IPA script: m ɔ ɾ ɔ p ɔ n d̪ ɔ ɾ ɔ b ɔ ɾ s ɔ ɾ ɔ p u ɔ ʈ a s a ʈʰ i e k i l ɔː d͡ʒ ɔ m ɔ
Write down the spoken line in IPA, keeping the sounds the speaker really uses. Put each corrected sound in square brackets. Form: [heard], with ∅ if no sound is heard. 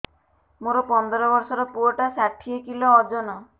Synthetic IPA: m [o] ɾ ɔ p ɔ n d̪ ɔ ɾ ɔ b ɔ ɾ s ɔ ɾ ɔ p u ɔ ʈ a s a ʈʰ i e k i l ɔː d͡ʒ ɔ [n] ɔ